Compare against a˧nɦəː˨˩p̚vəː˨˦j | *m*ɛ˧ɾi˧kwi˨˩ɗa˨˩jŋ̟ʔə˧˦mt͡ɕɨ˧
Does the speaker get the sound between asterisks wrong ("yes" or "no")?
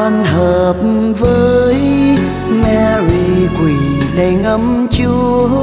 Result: no